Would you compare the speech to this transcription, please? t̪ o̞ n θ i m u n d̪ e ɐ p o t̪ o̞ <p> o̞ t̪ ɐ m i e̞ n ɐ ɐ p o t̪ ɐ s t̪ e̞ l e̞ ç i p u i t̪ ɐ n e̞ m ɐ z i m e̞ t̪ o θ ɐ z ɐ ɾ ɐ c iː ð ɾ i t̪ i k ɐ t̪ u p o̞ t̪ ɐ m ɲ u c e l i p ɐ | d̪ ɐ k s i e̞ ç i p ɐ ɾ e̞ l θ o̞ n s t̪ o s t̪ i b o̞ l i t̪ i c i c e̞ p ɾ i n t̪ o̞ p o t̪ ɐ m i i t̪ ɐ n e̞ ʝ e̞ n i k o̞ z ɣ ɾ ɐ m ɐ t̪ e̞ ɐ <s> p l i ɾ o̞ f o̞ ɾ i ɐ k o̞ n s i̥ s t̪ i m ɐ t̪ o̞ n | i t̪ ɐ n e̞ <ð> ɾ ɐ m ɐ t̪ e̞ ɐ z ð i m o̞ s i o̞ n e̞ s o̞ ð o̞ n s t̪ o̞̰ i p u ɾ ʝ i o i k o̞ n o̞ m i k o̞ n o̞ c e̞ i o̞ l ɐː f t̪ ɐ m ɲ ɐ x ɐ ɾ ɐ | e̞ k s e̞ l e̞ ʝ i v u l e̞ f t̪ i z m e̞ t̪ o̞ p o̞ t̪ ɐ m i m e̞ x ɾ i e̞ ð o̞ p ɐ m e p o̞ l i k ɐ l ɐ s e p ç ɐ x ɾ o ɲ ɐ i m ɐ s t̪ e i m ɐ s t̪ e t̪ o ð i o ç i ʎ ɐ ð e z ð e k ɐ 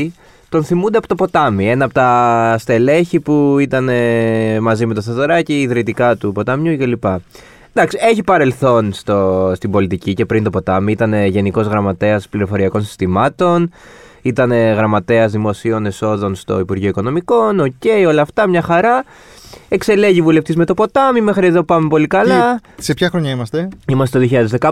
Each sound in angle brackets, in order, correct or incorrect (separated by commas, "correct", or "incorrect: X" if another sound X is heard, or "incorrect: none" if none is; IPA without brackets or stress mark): correct, correct, incorrect: ɣ